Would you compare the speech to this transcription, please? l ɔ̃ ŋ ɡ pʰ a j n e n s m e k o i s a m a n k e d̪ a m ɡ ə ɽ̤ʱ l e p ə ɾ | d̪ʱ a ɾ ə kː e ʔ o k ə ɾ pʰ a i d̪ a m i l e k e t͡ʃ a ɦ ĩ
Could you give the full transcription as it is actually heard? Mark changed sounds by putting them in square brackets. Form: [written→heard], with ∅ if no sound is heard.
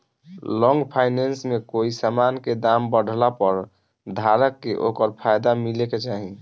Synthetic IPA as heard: l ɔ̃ ŋ ɡ pʰ a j n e n s m e k o i s a m a n k e d̪ a m [ɡ→b] ə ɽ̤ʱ l [e→a] p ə ɾ | d̪ʱ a ɾ ə kː e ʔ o k ə ɾ pʰ a [i→j] d̪ a m i l e k e t͡ʃ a ɦ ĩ

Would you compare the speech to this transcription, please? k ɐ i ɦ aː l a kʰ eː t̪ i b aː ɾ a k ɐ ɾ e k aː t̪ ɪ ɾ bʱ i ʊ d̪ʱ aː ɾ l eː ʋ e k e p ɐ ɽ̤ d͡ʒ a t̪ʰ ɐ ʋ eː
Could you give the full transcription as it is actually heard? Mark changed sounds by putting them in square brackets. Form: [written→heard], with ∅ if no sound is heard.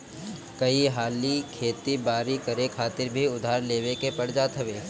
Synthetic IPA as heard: k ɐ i ɦ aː l [a→i] kʰ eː t̪ i b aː ɾ [a→i] k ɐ ɾ e [k→kʰ] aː t̪ ɪ ɾ bʱ i ʊ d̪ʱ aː ɾ l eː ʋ e k e p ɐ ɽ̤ d͡ʒ a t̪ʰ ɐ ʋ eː

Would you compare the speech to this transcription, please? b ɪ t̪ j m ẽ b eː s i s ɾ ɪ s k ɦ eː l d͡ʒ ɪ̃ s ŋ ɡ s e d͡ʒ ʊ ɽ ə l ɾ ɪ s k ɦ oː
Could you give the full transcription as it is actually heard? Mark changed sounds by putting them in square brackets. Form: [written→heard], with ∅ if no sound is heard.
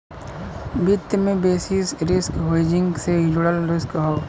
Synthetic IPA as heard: b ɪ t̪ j m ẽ b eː s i s ɾ ɪ s k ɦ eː [l→∅] d͡ʒ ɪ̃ [s→∅] ŋ ɡ s e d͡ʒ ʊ ɽ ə l ɾ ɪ s k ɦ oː

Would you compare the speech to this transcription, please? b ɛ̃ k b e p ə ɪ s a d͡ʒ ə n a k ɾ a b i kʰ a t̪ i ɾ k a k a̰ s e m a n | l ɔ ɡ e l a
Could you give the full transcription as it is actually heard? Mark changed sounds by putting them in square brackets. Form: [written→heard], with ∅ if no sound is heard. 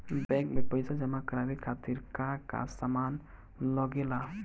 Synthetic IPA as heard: b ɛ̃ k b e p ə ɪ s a d͡ʒ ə [n→m] a k ɾ a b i kʰ a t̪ i ɾ k a k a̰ s [e→a] m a n | l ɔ ɡ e l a

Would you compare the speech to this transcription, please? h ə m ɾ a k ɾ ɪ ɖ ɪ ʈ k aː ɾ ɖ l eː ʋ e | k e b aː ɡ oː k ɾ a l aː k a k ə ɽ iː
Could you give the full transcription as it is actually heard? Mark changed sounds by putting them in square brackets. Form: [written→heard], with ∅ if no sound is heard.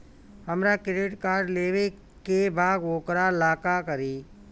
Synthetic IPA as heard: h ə m ɾ a k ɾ ɪ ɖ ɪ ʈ k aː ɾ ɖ l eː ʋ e | k e b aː ɡ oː k ɾ a l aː k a k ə [ɽ→ɾ] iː

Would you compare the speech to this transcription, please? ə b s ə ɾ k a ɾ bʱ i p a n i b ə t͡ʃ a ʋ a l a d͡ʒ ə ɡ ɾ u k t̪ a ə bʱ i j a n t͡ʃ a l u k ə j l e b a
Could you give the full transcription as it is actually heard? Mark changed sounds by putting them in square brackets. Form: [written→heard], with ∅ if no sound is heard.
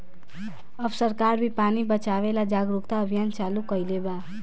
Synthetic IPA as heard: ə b s ə ɾ k a ɾ bʱ i p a n i b ə t͡ʃ a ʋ [a→e] l a d͡ʒ [ə→a] ɡ ɾ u k t̪ a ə bʱ i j a n t͡ʃ a l u k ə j l e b a

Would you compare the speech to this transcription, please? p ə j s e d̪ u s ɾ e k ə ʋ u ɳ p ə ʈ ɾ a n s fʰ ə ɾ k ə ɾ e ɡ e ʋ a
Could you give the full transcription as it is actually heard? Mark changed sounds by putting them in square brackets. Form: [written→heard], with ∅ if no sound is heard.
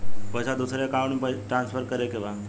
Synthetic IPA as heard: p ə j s [e→a] d̪ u s ɾ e k [ə→a] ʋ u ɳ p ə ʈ ɾ a n s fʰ ə ɾ k ə ɾ e [ɡ→k] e ʋ a

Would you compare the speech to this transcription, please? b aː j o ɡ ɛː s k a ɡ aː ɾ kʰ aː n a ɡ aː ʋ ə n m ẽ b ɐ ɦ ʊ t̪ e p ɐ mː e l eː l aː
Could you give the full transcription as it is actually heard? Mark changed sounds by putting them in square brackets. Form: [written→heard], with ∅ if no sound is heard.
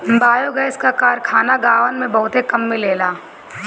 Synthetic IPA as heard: b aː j o ɡ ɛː s k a [ɡ→k] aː ɾ kʰ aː n a ɡ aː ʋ ə n m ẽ b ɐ ɦ ʊ t̪ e [p→k] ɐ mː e l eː l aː

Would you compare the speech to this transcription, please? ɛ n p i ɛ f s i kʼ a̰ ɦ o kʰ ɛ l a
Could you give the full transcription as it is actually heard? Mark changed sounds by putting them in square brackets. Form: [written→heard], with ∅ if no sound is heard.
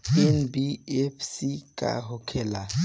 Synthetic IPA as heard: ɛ n [p→b] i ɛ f s i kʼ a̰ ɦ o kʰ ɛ l a

